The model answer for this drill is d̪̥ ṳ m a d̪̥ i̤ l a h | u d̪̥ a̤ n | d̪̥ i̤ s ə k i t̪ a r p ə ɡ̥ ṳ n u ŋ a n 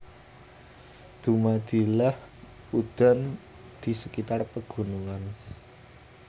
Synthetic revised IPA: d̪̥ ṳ m a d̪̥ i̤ l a h | u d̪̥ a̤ n | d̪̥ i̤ s ə k i t̪ a r p ə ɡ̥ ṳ n u ŋ a n